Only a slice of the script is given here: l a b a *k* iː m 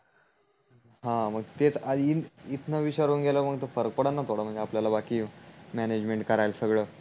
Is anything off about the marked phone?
no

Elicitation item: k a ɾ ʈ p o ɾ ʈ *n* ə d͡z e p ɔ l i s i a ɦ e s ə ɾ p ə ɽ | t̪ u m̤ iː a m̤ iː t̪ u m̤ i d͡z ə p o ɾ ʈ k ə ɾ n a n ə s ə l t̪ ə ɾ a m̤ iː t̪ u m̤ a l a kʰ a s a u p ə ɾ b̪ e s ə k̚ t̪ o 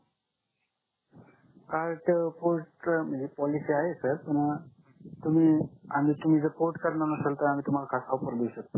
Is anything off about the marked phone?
yes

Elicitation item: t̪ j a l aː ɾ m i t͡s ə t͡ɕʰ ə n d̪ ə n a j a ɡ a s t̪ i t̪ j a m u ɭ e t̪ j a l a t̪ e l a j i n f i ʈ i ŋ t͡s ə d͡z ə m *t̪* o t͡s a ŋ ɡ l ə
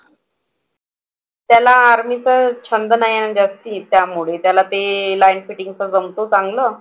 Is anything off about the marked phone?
no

